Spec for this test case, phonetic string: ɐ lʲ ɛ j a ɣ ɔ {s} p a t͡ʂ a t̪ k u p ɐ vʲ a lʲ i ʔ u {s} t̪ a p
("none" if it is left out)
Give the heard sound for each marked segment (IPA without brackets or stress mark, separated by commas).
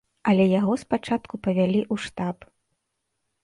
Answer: s, ʂ